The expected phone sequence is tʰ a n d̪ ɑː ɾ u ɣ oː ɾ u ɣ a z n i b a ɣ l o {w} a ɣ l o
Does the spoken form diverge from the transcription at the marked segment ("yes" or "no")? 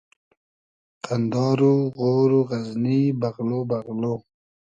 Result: yes